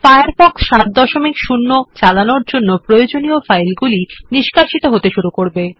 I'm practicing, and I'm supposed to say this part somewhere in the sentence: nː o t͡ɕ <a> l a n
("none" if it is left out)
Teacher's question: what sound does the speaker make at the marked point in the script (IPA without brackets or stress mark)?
a